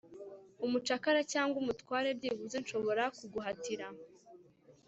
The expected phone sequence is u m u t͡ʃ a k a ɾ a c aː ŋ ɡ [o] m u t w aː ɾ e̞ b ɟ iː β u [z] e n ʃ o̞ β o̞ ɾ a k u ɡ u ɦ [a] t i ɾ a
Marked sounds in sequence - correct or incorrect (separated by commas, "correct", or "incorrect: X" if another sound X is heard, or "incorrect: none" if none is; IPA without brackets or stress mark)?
incorrect: u, correct, correct